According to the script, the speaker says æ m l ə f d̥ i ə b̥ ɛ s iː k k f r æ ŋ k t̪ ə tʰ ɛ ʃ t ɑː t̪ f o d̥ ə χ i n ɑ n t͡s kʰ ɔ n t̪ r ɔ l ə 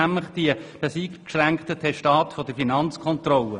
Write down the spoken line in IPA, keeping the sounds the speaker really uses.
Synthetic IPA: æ m l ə χ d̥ i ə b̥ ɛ s iː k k ʃ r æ ŋ k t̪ ə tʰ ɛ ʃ t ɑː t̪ f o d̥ ə f i n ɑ n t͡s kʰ ɔ n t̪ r ɔ l ə